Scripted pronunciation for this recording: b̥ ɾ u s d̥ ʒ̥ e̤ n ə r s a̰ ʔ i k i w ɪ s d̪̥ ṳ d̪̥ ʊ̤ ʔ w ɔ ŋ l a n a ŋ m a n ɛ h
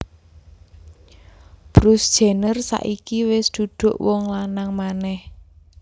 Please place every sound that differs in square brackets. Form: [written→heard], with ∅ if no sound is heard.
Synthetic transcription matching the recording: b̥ ɾ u s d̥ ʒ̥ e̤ n ə r s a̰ ʔ i k i w ɪ s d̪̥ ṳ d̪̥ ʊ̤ ʔ w ɔ ŋ l a n a ŋ m a n ɛ h